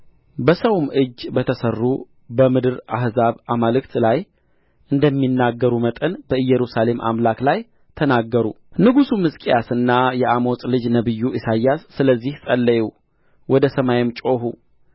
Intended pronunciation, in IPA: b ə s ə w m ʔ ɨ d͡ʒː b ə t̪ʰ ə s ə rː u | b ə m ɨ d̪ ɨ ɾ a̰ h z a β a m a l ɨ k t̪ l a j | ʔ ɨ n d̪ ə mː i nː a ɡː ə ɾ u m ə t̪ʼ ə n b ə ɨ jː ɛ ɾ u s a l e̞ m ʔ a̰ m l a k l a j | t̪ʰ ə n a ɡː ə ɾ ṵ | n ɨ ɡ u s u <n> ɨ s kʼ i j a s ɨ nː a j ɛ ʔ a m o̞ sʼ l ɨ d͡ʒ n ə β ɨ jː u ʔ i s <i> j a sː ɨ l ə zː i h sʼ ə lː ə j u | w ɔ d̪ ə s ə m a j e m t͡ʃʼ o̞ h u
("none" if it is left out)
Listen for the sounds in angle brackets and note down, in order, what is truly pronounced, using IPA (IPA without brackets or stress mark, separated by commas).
m, a